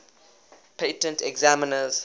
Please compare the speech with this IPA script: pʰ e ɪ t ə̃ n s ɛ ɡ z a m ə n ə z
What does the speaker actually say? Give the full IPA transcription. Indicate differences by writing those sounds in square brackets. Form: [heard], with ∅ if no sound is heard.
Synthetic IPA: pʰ e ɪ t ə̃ n [t] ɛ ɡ z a m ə n ə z